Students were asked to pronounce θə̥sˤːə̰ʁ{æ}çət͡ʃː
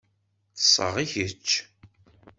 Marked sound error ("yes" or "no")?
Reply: yes